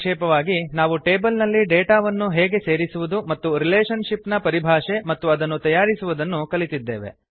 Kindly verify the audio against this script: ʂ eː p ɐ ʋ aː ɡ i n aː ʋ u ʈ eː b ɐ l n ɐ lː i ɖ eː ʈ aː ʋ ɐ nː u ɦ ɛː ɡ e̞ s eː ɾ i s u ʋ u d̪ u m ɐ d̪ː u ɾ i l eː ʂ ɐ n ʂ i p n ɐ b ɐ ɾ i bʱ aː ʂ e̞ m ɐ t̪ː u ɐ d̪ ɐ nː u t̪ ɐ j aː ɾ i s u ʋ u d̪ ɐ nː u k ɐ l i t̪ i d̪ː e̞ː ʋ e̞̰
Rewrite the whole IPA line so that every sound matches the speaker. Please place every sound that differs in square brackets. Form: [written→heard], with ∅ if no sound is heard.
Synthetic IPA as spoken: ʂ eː p ɐ ʋ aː ɡ i n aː ʋ u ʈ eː b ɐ l n ɐ lː i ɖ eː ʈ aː ʋ ɐ nː u ɦ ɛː ɡ e̞ s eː ɾ i s u ʋ u d̪ u m ɐ [d̪ː→t̪ː] u ɾ i l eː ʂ ɐ n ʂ i p n ɐ [b→p] ɐ ɾ i bʱ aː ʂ e̞ m ɐ t̪ː u ɐ d̪ ɐ nː u t̪ ɐ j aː ɾ i s u ʋ u d̪ ɐ nː u k ɐ l i t̪ i d̪ː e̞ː ʋ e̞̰